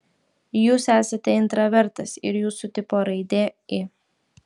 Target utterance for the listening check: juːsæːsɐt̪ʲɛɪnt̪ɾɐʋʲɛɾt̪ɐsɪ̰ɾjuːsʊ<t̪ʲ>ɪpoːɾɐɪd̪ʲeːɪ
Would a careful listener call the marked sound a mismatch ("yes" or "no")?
no